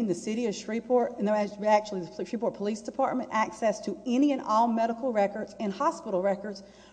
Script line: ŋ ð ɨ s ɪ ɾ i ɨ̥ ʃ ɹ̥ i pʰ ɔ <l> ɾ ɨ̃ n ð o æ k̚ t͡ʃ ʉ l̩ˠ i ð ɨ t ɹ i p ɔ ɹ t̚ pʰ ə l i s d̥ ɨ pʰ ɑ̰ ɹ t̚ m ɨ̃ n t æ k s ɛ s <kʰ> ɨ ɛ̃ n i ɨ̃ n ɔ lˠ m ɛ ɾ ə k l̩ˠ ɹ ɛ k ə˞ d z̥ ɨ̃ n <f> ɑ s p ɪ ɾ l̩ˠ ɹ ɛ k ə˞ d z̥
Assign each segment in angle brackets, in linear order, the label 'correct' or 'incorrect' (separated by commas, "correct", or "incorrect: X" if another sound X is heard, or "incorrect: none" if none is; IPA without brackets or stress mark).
incorrect: ɹ, incorrect: tʰ, incorrect: h